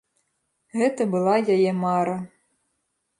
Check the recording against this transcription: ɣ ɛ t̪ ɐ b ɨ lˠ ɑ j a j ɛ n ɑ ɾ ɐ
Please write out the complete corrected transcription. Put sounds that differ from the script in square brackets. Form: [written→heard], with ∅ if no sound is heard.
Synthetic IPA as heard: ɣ ɛ t̪ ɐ b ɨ lˠ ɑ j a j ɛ [n→m] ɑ ɾ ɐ